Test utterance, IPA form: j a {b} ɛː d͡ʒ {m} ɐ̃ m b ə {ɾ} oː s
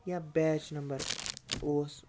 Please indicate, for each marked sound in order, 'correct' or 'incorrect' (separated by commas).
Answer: correct, incorrect, correct